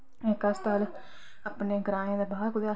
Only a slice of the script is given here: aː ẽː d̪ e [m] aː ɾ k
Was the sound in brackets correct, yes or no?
no